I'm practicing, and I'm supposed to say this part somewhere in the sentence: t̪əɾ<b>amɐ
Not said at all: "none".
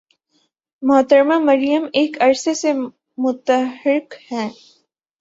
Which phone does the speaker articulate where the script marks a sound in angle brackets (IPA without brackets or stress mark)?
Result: m